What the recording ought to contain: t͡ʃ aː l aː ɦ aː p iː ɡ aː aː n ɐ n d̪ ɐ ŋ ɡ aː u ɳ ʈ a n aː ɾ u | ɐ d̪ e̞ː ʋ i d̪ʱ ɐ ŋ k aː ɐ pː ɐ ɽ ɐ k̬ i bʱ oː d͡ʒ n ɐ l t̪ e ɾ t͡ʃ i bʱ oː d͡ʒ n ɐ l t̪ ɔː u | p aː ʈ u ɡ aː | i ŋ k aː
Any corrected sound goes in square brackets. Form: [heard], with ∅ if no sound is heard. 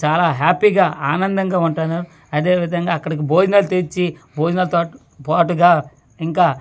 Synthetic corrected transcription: t͡ʃ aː l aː ɦ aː p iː ɡ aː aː n ɐ n d̪ ɐ ŋ ɡ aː u ɳ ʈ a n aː ɾ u | ɐ d̪ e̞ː ʋ i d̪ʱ ɐ ŋ [ɡ] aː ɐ [kː] ɐ ɽ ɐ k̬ i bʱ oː d͡ʒ n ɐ l t̪ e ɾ t͡ʃ i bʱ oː d͡ʒ n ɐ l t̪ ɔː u | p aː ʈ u ɡ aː | i ŋ k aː